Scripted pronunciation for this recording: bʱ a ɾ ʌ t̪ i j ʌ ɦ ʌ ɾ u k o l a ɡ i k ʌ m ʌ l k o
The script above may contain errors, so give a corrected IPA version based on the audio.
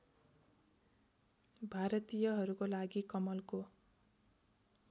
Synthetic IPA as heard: bʱ a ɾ ʌ t̪ i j ʌ ɦ ʌ ɾ u k o l a ɡ i k ʌ m ʌ l k o